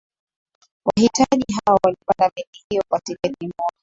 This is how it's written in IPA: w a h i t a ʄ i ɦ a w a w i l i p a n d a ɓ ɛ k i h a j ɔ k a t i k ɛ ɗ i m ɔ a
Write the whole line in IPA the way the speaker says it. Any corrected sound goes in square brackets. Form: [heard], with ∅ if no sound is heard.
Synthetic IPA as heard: w a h i t a ʄ i ɦ a w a w [a] l i p a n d a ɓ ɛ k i h [i] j ɔ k a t i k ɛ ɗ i m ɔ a